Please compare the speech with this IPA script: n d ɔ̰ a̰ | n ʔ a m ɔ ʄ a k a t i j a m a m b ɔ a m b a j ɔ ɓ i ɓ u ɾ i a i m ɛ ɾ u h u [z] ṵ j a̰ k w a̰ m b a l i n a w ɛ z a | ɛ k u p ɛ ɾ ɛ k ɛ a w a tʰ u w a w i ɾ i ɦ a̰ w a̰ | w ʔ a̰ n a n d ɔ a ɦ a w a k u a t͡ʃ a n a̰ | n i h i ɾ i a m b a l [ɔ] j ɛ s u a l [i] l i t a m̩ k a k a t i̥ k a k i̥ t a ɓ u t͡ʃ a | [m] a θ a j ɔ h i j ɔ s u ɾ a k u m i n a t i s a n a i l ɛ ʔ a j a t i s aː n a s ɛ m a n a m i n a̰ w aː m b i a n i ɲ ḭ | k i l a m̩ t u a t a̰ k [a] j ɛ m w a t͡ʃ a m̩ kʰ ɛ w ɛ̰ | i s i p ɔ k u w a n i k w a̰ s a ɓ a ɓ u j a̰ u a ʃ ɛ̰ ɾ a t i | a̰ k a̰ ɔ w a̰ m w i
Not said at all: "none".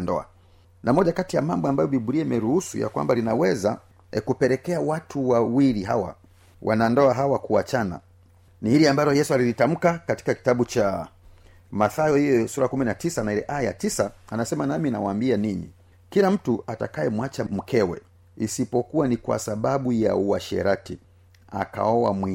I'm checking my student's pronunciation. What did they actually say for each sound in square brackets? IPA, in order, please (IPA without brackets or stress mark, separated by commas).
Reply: s, ɔ, i, m, a